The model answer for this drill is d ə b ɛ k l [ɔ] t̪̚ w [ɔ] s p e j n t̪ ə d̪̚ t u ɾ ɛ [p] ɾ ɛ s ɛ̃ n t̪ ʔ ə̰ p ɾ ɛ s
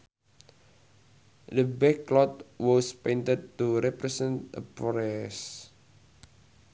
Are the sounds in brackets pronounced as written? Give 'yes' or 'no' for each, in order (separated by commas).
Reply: yes, yes, yes